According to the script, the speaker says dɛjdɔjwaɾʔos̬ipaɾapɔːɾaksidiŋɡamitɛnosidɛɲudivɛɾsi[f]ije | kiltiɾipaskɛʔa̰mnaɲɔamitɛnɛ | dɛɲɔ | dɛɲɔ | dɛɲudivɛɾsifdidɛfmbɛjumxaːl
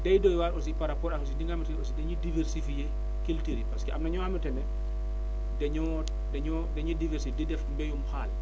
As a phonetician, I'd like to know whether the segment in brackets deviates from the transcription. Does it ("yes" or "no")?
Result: no